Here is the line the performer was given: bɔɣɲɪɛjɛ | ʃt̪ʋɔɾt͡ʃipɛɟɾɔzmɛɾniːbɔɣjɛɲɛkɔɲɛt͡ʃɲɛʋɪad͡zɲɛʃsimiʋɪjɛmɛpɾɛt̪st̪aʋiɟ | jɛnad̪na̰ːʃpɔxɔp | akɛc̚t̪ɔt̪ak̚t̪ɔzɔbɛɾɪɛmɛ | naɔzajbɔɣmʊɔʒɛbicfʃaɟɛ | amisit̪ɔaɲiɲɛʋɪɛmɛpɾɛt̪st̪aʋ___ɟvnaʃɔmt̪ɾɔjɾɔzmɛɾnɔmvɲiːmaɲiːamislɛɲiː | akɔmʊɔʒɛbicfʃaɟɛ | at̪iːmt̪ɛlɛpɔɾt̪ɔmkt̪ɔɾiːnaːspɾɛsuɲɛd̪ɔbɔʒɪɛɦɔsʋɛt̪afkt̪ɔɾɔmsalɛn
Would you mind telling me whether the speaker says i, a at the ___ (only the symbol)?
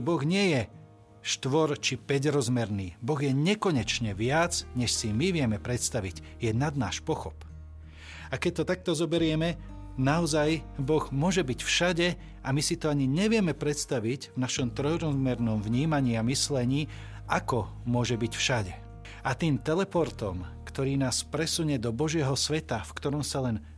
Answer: i